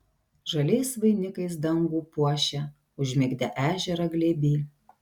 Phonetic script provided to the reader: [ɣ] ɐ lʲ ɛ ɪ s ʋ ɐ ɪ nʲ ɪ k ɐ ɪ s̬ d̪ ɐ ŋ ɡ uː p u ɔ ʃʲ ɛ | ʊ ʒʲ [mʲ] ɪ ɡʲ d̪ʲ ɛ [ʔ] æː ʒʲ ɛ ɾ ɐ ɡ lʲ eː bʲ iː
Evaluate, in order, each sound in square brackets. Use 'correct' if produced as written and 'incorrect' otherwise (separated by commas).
incorrect, correct, correct